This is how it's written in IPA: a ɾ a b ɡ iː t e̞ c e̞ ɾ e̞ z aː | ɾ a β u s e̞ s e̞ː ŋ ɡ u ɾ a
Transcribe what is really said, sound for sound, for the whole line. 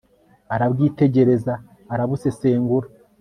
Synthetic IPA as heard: a ɾ a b ɡ iː t e̞ ɟ e̞ ɾ e̞ z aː | ɾ a β u s e̞ s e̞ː ŋ ɡ u ɾ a